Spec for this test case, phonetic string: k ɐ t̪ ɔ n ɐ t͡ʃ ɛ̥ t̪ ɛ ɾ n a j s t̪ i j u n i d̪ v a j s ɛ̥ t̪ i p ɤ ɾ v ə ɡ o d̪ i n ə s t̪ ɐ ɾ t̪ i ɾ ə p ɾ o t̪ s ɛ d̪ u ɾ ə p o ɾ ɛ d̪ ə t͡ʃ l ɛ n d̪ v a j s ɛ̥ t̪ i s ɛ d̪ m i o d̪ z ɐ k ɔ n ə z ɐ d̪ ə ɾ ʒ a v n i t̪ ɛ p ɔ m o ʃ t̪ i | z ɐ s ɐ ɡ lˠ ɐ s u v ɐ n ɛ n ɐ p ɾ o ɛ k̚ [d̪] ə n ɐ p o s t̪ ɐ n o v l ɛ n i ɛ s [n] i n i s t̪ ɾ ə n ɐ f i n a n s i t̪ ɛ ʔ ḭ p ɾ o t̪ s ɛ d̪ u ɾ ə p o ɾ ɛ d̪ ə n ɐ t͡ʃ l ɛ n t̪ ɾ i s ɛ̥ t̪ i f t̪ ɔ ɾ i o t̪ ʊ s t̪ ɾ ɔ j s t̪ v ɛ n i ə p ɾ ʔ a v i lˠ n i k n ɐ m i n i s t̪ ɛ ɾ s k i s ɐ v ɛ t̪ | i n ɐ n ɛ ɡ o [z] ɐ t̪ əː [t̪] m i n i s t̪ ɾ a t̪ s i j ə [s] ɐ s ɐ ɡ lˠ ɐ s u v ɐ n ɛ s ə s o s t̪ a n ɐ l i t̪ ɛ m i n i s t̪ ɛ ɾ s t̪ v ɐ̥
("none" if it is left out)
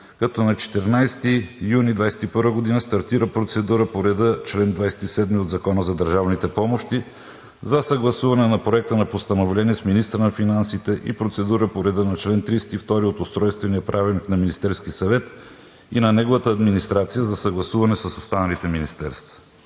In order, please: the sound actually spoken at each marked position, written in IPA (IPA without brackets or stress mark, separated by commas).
t̪, m, v, d̪, z